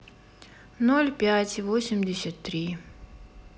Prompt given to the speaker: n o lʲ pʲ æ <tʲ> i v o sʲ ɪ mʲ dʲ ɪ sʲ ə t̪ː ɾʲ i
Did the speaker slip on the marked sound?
no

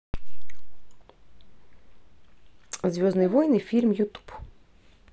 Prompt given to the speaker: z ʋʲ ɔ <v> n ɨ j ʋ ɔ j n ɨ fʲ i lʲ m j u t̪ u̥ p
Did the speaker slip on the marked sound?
yes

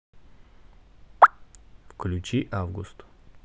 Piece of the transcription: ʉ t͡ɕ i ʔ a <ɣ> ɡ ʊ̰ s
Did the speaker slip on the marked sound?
yes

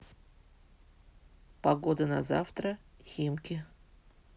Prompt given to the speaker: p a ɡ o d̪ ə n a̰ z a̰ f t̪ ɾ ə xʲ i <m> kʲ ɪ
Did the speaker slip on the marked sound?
no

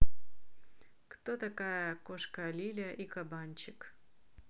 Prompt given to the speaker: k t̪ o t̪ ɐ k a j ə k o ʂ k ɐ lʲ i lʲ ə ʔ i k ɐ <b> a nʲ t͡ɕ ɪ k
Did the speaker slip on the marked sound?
no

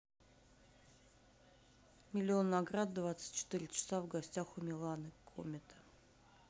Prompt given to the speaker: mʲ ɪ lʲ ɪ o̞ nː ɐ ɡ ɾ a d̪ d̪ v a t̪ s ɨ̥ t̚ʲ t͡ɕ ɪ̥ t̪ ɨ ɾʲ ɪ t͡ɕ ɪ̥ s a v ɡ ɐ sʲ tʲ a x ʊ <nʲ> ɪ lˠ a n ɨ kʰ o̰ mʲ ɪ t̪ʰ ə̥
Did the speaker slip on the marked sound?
yes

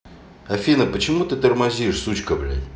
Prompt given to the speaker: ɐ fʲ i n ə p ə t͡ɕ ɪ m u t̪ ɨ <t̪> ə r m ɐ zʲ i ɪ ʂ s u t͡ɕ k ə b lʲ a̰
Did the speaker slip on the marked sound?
no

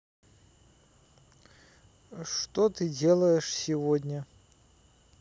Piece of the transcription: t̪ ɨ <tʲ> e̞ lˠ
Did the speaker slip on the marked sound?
yes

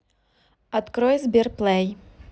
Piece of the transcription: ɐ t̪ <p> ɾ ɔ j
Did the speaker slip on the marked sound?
yes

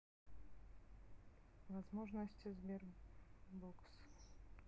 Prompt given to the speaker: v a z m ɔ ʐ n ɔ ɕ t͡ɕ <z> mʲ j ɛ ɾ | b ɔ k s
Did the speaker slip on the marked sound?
no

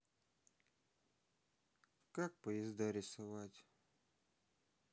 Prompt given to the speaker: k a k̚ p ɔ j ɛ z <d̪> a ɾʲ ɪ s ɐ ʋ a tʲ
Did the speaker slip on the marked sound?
no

